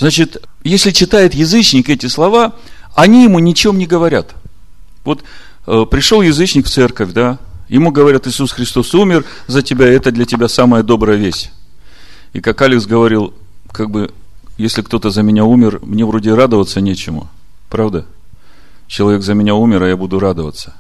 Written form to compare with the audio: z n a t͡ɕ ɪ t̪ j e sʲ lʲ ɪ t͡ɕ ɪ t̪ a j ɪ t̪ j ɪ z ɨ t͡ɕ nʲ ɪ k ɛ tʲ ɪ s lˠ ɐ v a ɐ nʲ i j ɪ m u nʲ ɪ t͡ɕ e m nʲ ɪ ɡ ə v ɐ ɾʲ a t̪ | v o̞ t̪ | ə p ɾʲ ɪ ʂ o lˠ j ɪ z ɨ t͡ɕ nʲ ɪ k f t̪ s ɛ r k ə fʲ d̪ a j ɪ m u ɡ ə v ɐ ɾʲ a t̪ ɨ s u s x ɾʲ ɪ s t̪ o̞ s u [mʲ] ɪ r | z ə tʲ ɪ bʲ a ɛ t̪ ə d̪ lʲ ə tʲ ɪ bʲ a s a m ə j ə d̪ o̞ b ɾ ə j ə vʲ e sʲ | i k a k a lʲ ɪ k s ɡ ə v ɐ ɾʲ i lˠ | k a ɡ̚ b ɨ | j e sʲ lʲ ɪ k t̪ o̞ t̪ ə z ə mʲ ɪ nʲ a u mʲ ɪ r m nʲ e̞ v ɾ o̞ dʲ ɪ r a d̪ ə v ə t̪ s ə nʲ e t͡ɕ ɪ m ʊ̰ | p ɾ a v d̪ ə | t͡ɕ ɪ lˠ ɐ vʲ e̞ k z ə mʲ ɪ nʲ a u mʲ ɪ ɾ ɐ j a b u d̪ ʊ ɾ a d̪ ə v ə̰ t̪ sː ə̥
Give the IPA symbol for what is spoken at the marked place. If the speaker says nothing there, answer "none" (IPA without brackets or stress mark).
mʲ